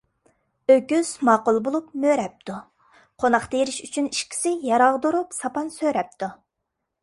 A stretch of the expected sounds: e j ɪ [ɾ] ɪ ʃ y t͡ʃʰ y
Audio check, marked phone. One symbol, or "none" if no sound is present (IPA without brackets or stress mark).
ɾ